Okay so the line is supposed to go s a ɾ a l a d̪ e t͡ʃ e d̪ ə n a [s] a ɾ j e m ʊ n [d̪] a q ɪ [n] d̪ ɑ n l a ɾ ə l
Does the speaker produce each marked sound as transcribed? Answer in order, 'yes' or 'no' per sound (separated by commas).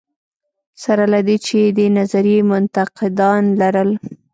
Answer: no, no, no